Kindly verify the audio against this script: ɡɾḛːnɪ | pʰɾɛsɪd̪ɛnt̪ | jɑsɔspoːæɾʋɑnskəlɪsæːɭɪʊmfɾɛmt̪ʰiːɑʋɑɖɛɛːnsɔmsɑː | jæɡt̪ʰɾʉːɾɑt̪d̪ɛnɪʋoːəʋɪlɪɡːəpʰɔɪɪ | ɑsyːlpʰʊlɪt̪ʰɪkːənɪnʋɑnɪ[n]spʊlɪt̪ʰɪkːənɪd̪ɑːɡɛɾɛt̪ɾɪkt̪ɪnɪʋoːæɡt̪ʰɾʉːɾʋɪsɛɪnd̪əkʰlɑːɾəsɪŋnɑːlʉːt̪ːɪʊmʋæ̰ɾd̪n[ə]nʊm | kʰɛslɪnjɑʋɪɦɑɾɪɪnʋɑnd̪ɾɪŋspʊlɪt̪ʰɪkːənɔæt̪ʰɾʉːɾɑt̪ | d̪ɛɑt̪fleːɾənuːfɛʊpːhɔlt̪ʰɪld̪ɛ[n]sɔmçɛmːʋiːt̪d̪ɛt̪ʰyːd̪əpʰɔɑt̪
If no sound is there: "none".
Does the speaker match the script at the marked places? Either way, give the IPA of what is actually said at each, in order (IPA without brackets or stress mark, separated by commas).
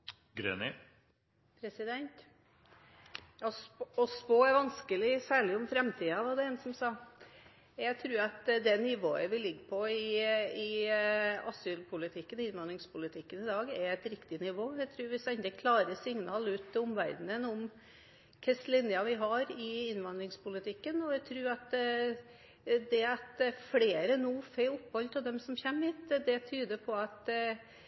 ŋ, ə, m